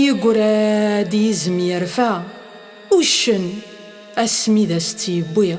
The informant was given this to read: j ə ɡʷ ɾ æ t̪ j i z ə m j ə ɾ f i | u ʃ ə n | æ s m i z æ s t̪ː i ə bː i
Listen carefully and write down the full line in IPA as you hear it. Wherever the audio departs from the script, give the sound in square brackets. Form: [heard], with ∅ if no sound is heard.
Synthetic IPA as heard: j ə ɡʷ ɾ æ [d̪] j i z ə m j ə ɾ f [æ] | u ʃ ə n | æ s m i [ð] æ s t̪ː [j] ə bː i